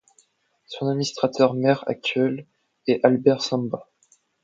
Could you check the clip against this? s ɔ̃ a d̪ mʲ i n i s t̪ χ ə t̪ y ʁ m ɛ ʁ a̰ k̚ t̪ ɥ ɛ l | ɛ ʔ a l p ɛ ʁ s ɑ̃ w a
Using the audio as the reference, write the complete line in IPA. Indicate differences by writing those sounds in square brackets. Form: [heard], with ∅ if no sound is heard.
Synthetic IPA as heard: s ɔ̃ a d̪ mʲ i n i s t̪ χ [a] t̪ [œ] ʁ m ɛ ʁ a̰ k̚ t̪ ɥ ɛ l | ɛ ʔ a l [b] ɛ ʁ s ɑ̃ [b] a

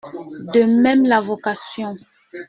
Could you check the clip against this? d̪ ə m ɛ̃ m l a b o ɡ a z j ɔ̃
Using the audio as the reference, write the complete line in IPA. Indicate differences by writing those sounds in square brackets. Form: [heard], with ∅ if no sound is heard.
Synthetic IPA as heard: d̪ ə m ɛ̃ m l a [v] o [k] a [s] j ɔ̃

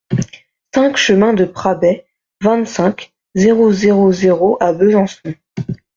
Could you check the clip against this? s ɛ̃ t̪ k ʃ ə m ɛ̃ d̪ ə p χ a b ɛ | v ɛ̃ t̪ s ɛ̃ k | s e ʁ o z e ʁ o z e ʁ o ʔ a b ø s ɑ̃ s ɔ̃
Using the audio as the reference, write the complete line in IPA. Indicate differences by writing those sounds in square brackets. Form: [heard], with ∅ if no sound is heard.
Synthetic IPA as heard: s ɛ̃ [∅] k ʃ ə m ɛ̃ d̪ ə p χ a b ɛ | v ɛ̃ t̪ s ɛ̃ k | [z] e ʁ o z e ʁ o z e ʁ o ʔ a b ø [z] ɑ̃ s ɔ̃

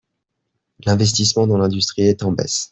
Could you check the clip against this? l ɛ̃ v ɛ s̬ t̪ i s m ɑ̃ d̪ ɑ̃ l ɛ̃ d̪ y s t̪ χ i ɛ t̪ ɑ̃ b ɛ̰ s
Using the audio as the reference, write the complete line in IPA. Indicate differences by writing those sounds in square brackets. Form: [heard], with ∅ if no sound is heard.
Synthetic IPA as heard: l ɛ̃ v ɛ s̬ t̪ i s m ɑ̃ d̪ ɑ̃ l ɛ̃ d̪ y s t̪ χ i ɛ t̪ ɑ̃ b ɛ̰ s

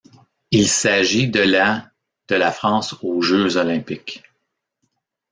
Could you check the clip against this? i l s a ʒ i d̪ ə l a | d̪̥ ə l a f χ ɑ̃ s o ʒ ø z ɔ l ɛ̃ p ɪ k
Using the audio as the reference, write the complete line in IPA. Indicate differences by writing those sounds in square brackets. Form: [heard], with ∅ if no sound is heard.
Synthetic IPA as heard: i l s a ʒ i d̪ ə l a | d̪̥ ə l a f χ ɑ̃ s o ʒ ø z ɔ l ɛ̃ p ɪ k

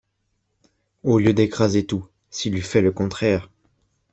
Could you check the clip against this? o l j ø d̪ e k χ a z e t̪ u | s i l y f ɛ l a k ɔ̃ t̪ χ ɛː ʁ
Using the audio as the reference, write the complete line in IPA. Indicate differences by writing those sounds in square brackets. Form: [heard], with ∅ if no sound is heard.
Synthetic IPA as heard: o l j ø d̪ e k χ a z e t̪ u | s i l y f ɛ l [ə] k ɔ̃ t̪ χ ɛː ʁ

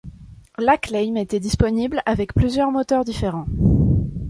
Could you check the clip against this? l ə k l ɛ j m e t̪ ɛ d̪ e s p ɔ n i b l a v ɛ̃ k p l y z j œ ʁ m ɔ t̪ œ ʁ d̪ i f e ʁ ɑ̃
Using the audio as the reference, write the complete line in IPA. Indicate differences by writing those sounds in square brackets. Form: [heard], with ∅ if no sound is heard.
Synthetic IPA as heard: l [a] k l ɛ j m e t̪ ɛ d̪ [i] s p ɔ n i b l a v [ɛ] k p l y z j œ ʁ m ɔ t̪ œ ʁ d̪ i f e ʁ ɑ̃

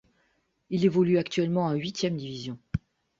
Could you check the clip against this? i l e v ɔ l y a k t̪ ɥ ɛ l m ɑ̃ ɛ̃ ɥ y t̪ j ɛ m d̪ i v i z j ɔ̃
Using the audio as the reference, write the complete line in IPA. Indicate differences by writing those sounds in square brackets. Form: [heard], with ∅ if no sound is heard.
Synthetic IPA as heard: i l e v ɔ l y a k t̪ ɥ ɛ l m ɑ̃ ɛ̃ ɥ [i] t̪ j ɛ m d̪ i v i z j ɔ̃

